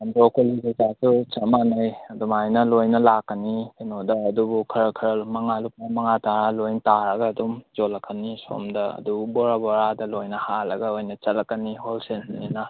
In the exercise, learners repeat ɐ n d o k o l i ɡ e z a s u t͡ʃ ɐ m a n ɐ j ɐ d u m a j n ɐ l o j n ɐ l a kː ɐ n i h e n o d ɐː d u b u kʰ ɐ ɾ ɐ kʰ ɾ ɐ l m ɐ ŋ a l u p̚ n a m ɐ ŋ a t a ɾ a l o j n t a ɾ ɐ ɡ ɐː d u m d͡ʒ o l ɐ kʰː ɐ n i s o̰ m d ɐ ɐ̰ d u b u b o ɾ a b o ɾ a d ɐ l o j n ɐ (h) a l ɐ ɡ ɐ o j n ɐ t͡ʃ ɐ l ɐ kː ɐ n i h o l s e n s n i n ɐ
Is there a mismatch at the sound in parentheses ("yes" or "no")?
no